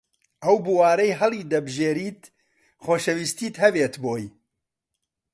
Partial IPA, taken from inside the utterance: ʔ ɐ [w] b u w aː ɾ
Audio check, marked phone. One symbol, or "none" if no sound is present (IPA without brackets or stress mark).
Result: w